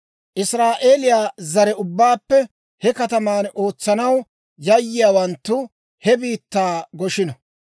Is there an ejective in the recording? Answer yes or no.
no